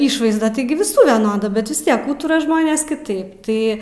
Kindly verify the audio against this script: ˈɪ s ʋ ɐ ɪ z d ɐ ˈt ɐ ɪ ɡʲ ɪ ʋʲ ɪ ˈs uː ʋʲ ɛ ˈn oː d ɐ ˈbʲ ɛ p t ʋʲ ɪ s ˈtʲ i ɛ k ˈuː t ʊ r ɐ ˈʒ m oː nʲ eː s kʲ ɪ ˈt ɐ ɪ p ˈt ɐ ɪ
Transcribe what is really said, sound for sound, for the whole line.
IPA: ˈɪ ʃ ʋ ɐ ɪ z d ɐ ˈt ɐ ɪ ɡʲ ɪ ʋʲ ɪ ˈs uː ʋʲ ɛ ˈn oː d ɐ ˈbʲ ɛ t ʋʲ ɪ s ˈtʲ i ɛ k ˈuː t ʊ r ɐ ˈʒ m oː nʲ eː s kʲ ɪ ˈt ɐ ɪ p ˈt ɐ ɪ